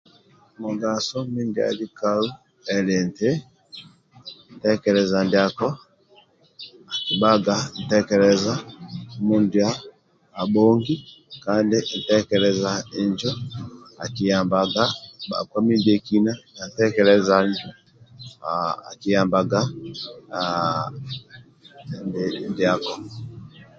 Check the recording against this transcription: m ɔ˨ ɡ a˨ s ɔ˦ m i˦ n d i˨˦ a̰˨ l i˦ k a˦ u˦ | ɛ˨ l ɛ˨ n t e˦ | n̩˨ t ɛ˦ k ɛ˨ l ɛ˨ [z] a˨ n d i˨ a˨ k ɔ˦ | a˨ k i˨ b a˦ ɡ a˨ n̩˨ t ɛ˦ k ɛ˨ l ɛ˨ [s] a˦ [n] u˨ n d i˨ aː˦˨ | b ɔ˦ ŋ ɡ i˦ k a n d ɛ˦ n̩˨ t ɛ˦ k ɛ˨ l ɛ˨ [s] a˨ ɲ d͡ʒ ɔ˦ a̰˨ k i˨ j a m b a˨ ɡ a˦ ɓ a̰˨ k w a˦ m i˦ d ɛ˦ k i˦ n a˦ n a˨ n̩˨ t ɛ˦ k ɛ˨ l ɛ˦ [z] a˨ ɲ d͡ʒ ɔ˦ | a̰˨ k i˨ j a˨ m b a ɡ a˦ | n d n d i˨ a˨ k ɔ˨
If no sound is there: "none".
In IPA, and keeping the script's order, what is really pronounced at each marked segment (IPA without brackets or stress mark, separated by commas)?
z, z, m, z, z